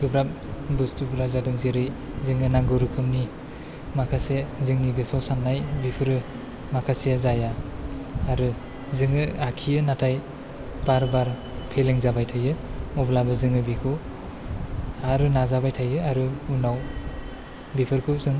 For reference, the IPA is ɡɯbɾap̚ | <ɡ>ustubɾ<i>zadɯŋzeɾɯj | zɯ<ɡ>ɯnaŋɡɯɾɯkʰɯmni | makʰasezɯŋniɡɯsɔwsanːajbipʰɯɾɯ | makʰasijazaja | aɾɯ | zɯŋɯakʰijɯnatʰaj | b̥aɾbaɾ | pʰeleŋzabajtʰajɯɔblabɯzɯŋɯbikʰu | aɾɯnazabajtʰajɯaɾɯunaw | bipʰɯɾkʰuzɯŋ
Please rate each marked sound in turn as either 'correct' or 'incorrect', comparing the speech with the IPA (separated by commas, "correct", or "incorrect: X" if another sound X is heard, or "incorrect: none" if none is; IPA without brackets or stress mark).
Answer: incorrect: b, incorrect: a, incorrect: ŋ